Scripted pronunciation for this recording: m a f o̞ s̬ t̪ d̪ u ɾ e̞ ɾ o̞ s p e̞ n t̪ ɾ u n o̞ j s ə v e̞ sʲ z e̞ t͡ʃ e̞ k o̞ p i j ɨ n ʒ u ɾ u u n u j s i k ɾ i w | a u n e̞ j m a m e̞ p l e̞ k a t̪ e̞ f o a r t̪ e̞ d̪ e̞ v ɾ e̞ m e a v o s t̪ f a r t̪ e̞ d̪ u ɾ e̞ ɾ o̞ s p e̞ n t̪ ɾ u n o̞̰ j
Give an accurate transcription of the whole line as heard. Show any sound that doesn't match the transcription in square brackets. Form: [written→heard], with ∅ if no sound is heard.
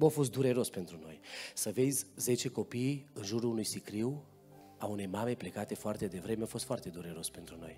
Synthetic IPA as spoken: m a f o̞ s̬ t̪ d̪ u ɾ e̞ ɾ o̞ s p e̞ n t̪ ɾ u n o̞ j s ə v e̞ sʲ z e̞ t͡ʃ e̞ k o̞ p i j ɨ n ʒ u ɾ u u n u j s i k ɾ i w | a u n e̞ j m a m e̞ p l e̞ k a t̪ e̞ f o a r t̪ e̞ d̪ e̞ v ɾ e̞ m e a [v→f] o s t̪ f a r t̪ e̞ d̪ u ɾ e̞ ɾ o̞ s p e̞ n t̪ ɾ u n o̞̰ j